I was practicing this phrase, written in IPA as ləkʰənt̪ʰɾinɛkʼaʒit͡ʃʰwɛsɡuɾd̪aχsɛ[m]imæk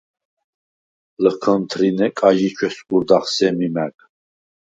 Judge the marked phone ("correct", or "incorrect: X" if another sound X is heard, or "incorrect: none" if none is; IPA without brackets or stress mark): correct